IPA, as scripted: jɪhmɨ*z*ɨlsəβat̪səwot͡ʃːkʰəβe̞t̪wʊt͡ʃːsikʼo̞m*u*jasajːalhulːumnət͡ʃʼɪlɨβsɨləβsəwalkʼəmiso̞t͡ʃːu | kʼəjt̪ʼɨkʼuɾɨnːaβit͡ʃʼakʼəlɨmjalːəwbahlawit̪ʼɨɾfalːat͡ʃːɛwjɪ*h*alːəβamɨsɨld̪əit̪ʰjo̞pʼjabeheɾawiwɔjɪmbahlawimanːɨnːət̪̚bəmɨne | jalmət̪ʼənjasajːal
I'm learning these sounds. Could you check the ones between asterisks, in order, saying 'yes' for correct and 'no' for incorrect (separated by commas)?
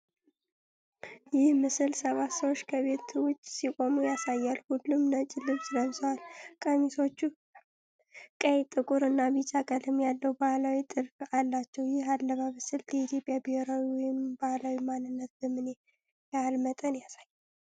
no, yes, yes